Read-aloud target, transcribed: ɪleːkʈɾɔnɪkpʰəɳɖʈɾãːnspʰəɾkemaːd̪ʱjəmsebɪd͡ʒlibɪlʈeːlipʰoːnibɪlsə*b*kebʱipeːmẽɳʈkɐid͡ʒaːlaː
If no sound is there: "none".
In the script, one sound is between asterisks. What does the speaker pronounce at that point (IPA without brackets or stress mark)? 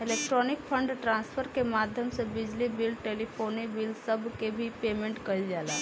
b